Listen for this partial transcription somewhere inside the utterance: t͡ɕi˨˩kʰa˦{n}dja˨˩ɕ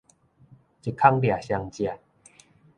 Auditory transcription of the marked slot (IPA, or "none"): ŋ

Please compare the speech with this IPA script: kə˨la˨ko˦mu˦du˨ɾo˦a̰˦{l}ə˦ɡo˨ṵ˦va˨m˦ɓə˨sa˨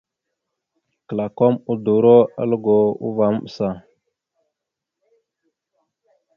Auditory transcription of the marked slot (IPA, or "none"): l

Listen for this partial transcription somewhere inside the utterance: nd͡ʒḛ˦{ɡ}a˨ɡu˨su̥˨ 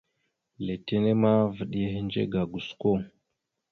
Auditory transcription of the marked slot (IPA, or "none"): ɡ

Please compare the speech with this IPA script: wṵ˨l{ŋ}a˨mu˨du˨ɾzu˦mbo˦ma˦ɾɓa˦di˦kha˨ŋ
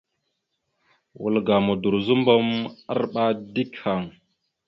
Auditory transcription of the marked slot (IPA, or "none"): ɡ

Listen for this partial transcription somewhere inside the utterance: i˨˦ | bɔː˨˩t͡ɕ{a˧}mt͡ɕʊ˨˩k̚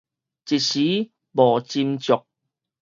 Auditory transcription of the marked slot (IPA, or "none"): i˧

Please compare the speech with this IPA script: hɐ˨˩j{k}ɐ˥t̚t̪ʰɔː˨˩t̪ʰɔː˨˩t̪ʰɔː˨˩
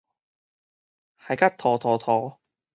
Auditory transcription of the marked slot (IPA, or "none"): k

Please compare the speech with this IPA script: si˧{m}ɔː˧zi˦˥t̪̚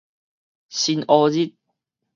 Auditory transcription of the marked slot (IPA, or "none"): n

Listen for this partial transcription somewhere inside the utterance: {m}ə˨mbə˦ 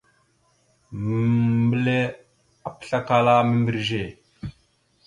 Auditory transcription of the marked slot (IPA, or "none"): m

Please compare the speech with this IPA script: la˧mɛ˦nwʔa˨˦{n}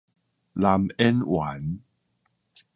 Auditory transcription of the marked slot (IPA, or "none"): n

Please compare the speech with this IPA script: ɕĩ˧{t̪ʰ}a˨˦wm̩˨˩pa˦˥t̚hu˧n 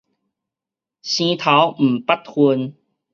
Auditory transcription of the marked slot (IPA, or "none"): t̪ʰ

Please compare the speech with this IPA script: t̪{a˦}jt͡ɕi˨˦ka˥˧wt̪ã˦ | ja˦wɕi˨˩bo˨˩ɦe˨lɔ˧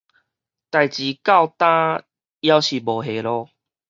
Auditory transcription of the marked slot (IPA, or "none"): a˨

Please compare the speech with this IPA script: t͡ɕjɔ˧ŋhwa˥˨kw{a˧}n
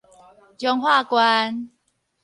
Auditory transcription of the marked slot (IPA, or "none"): a˧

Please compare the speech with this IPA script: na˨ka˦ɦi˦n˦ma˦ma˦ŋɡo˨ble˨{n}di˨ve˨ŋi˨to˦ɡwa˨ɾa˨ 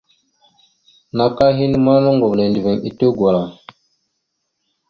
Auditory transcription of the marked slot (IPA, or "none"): n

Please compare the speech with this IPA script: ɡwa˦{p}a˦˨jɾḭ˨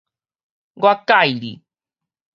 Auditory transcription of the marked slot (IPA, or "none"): k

